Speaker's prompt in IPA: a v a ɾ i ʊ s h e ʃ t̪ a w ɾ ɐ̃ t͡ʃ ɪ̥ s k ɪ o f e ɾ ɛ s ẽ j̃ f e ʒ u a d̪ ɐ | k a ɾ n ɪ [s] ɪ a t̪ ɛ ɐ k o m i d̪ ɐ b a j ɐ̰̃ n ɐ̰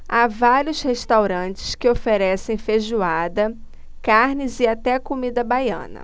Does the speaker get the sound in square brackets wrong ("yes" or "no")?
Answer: yes